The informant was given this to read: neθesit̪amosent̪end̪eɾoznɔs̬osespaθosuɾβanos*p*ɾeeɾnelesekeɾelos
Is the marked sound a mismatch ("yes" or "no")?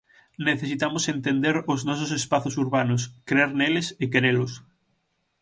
yes